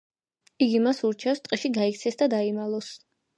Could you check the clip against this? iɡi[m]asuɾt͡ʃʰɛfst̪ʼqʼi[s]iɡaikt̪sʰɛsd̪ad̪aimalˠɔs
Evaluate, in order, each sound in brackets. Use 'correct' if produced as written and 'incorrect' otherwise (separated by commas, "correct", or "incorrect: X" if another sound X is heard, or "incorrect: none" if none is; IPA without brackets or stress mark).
correct, incorrect: ʃ